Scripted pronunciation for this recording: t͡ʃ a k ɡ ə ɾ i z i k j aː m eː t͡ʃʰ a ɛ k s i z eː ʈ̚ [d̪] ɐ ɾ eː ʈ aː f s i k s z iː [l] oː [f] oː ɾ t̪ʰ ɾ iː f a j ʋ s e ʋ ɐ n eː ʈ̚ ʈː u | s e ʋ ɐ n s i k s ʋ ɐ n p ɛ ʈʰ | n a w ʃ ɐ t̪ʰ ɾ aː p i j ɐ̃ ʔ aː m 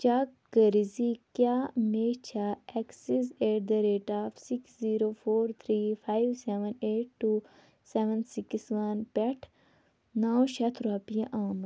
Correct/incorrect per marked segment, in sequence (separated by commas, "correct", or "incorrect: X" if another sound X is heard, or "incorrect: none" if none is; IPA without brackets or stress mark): correct, incorrect: ɾ, correct